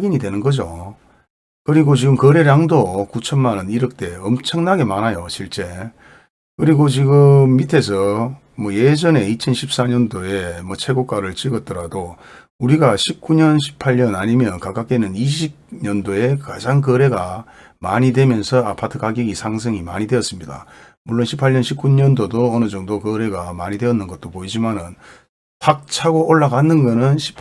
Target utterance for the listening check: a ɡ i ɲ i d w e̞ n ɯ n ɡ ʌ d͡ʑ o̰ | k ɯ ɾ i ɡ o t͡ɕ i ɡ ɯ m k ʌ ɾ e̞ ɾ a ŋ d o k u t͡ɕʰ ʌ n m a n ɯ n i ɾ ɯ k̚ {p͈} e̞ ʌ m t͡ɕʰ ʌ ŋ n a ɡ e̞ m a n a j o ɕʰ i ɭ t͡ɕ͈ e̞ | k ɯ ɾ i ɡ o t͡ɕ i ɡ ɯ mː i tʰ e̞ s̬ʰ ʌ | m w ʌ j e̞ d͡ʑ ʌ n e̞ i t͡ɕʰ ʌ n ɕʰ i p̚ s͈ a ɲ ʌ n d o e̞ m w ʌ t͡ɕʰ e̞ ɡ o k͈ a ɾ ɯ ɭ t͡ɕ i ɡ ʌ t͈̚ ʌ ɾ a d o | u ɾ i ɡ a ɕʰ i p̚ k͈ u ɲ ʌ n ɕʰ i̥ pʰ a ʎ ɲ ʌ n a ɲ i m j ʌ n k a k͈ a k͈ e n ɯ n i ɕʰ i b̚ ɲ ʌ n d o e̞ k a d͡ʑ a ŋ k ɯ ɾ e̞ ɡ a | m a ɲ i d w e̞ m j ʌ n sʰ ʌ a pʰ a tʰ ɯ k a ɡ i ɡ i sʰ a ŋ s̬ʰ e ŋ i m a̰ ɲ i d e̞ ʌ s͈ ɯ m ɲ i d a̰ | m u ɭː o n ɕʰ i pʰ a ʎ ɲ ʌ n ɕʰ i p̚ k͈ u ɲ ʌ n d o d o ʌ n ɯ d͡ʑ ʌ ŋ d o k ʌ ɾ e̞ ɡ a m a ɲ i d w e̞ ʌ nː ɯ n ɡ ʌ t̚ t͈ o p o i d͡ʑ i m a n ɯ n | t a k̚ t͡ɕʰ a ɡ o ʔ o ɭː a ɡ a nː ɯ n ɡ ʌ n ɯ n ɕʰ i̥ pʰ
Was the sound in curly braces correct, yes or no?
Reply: no